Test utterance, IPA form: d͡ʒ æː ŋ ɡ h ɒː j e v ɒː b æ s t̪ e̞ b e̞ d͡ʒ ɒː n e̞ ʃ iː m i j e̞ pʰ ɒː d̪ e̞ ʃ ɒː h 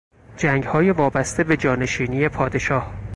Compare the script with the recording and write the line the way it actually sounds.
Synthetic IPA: d͡ʒ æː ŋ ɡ h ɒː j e v ɒː b æ s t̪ e̞ b e̞ d͡ʒ ɒː n e̞ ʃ iː n i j e̞ pʰ ɒː d̪ e̞ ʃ ɒː h